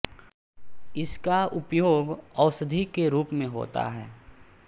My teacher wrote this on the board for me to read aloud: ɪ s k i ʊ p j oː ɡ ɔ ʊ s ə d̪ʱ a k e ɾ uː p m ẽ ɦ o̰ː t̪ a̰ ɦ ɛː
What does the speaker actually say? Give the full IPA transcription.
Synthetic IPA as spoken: ɪ s k a ʊ p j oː ɡ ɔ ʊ s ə d̪ʱ i k e ɾ uː p m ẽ ɦ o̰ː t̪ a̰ ɦ ɛː